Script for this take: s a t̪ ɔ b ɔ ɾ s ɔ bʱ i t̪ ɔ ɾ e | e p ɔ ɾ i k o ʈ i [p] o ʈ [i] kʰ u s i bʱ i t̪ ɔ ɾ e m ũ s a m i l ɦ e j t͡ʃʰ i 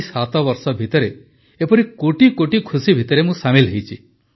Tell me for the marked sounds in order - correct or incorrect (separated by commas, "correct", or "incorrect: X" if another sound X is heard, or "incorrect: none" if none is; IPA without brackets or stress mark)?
incorrect: k, correct